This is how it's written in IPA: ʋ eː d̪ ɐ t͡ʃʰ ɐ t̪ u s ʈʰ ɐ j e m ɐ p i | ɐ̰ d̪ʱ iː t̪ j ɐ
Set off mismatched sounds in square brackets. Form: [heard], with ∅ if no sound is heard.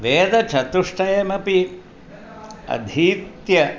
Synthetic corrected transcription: ʋ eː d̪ ɐ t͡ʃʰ ɐ t̪ u [ʂ] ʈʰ ɐ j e m ɐ p i | ɐ̰ d̪ʱ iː t̪ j ɐ